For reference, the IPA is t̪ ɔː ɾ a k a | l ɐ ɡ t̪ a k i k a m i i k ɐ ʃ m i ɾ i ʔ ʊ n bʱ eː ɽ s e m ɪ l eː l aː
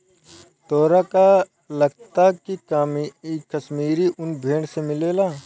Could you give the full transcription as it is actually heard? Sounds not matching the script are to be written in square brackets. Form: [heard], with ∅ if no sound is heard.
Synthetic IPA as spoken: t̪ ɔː ɾ a k a | l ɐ ɡ t̪ a k i k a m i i k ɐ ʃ m [iː] ɾ i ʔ ʊ n bʱ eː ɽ s e m ɪ l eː l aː